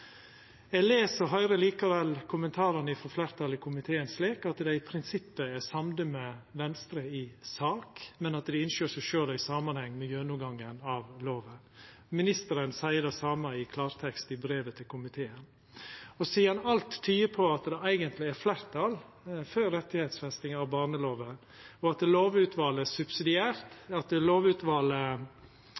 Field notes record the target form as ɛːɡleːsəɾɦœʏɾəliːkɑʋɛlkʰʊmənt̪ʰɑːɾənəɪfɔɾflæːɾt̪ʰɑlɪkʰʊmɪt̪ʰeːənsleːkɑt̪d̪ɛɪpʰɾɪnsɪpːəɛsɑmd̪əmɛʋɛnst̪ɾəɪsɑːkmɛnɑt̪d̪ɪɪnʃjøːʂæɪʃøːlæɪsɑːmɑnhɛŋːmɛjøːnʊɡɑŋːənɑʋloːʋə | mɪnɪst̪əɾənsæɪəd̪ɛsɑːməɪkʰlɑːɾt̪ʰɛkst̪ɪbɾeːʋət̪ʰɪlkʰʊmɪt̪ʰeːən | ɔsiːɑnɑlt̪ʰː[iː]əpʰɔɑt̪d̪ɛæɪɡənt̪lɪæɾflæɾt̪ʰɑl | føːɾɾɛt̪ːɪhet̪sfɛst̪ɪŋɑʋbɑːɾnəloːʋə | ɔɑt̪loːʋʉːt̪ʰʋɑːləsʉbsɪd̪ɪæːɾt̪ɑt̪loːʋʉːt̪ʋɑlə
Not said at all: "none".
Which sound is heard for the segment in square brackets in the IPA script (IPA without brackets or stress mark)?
yː